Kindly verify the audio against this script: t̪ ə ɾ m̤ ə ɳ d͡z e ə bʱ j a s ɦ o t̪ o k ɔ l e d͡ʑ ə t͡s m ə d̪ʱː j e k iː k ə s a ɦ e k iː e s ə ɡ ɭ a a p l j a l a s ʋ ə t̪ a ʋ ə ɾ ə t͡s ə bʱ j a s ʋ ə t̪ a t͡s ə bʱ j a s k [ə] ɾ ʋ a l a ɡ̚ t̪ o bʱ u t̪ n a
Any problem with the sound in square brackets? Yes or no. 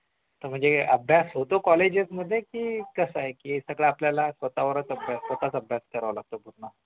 no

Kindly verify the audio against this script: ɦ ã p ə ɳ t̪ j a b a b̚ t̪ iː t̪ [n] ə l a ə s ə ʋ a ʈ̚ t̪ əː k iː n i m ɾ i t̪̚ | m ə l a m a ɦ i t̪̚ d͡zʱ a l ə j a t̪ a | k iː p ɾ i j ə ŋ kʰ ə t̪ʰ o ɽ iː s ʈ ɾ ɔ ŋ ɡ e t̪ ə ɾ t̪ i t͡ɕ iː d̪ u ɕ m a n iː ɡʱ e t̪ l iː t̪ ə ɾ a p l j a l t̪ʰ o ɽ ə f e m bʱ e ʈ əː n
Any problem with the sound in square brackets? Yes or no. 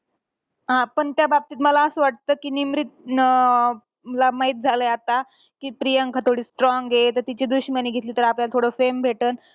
yes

